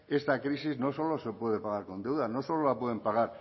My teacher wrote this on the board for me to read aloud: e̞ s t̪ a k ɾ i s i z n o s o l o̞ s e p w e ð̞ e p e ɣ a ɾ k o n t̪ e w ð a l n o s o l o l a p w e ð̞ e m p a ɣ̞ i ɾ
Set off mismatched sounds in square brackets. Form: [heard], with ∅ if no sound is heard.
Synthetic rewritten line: e̞ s t̪ a k ɾ i s i z n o s o l o̞ s e p w e ð̞ e p [a] ɣ a ɾ k o n [d̪] e w ð a [∅] n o s o l o l a p w e ð̞ e m p a ɣ̞ [a] ɾ